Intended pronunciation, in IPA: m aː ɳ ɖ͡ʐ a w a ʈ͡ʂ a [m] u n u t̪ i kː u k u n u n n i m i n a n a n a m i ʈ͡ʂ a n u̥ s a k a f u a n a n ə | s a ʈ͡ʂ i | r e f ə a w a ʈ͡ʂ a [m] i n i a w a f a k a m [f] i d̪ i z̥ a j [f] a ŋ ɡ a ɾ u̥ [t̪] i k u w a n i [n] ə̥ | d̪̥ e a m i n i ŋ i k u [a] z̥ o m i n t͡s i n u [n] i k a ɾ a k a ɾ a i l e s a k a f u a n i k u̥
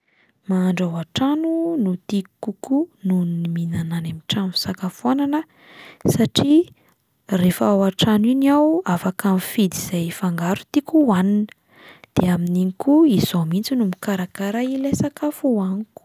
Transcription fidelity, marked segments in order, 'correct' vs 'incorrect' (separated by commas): incorrect, incorrect, correct, correct, correct, correct, incorrect, incorrect